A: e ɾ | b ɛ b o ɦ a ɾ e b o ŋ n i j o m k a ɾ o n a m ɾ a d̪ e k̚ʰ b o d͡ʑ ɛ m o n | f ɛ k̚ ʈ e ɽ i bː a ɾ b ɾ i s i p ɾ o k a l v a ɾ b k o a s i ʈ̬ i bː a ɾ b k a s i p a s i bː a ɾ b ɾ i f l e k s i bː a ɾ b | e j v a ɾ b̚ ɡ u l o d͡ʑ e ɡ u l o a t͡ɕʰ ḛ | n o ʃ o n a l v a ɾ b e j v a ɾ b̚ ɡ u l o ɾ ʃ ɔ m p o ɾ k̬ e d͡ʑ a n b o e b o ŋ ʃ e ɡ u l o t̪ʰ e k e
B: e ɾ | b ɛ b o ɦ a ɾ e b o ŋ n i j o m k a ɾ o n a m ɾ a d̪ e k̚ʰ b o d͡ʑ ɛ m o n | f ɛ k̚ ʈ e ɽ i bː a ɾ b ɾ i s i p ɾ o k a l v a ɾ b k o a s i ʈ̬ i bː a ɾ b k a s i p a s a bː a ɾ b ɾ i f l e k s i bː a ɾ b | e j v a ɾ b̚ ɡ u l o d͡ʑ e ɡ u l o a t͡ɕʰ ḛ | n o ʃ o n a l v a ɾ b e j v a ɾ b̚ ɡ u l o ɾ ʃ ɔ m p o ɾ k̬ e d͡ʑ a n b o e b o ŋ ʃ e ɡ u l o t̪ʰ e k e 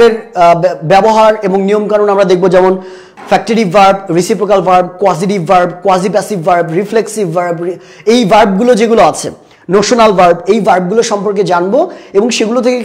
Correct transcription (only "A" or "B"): A